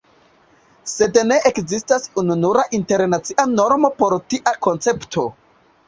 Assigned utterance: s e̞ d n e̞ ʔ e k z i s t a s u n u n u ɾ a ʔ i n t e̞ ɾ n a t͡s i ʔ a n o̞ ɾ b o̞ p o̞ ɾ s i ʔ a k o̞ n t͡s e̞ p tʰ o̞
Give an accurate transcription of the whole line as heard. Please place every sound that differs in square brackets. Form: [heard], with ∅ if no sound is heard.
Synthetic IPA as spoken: s e̞ d n e̞ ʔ e k z i s t a s u n u n u ɾ a ʔ i n t e̞ ɾ n a t͡s i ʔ a n o̞ ɾ [m] o̞ p o̞ ɾ [t] i ʔ a k o̞ n t͡s e̞ p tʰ o̞